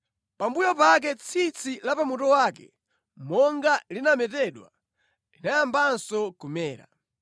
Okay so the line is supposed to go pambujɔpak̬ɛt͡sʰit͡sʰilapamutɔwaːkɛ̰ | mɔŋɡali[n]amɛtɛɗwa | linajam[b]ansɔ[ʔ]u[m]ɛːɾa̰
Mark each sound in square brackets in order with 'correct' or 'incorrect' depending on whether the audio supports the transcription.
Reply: correct, correct, incorrect: k, correct

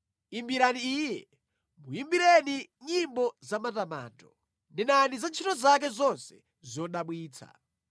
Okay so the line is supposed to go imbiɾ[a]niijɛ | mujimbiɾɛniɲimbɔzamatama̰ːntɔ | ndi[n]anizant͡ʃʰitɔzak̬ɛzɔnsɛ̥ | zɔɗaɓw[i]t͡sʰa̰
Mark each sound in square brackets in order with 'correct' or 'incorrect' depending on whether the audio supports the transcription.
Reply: correct, correct, incorrect: iː

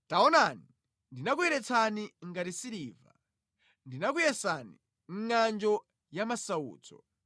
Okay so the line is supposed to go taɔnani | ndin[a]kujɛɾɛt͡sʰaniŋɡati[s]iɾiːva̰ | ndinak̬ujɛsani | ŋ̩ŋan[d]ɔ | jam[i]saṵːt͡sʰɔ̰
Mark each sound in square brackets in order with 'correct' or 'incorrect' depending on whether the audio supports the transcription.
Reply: correct, correct, incorrect: d͡ʒ, incorrect: a

